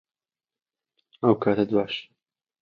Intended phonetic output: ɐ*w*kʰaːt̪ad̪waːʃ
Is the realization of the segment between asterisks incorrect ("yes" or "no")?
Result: no